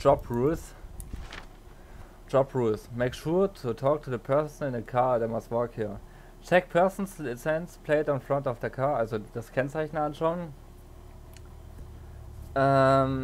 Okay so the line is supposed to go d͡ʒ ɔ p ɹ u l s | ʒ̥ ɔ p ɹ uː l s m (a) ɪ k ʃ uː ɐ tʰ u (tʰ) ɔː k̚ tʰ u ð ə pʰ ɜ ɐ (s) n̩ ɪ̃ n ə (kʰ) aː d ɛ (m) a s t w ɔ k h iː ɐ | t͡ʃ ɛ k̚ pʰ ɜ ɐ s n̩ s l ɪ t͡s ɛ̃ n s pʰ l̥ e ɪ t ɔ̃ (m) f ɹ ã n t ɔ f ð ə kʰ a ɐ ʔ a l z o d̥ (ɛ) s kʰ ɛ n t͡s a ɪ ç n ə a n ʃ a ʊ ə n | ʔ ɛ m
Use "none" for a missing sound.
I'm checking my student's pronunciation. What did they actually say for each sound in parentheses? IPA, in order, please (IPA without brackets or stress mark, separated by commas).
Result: e, tʰ, s, kʰ, m, n, a